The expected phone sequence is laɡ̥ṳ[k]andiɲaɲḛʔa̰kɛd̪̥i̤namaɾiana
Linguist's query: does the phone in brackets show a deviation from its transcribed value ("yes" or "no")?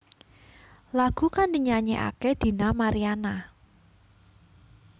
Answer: no